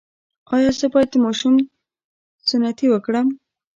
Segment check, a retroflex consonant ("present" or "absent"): present